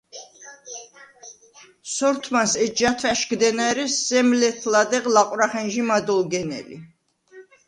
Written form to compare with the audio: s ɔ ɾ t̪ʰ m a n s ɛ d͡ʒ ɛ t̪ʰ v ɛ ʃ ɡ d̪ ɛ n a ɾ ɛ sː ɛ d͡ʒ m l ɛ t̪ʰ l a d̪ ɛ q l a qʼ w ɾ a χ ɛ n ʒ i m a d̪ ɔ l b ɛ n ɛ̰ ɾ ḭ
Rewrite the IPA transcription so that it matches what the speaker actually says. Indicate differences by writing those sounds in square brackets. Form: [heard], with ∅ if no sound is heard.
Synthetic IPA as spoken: s ɔ ɾ t̪ʰ m a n s ɛ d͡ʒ [a] t̪ʰ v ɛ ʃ ɡ d̪ ɛ n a ɾ ɛ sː ɛ [∅] m l ɛ t̪ʰ l a d̪ ɛ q l a qʼ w ɾ a χ ɛ n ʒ i m a d̪ ɔ l [ɡ] ɛ n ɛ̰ [l] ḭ